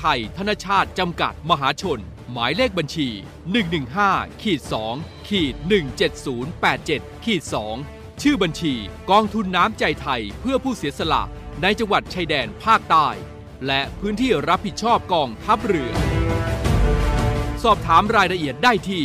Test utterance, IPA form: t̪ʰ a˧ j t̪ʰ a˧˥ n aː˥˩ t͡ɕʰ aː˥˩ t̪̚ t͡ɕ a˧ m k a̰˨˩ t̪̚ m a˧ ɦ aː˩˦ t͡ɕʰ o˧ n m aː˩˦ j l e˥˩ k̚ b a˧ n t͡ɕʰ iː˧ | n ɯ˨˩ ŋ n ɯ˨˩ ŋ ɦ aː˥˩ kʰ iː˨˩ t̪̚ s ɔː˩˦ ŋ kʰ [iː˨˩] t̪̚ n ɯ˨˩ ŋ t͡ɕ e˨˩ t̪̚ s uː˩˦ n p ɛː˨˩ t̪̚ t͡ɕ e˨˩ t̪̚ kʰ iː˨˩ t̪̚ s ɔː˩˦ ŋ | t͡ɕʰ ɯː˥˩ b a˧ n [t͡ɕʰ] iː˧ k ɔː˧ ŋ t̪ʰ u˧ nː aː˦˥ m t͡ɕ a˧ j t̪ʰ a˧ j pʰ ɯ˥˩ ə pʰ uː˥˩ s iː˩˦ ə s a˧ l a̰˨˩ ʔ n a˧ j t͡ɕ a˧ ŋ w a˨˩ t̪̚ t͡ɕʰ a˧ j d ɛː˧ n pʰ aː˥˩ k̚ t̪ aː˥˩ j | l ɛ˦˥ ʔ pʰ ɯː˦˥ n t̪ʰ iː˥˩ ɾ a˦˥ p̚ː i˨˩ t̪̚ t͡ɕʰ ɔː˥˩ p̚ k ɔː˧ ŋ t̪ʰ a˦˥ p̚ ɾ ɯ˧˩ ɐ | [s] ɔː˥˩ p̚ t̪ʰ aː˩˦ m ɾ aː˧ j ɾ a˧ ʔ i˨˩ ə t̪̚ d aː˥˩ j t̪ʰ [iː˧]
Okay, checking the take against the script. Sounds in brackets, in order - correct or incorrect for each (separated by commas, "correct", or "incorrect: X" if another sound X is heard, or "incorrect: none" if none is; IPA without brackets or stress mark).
correct, correct, correct, incorrect: iː˥˩